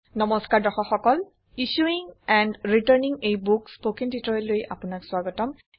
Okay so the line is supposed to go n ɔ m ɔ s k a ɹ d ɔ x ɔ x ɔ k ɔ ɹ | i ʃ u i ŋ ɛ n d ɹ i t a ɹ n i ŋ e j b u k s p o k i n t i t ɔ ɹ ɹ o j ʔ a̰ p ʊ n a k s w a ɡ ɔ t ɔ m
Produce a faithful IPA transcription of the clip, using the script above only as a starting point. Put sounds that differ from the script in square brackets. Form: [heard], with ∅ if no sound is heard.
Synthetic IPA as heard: n ɔ m ɔ s k a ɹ d ɔ x ɔ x ɔ k ɔ [l] | i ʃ u i ŋ ɛ n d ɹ i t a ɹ n i ŋ e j b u k s p o k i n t i t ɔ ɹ [l] o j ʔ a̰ p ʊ n a k s w a ɡ ɔ t ɔ m